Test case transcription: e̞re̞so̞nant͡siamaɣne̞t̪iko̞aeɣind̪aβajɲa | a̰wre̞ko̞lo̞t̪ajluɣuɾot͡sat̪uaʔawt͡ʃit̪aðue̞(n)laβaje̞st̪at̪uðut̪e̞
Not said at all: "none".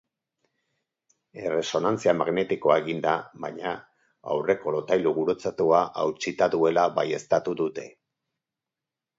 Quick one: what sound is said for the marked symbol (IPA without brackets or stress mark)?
none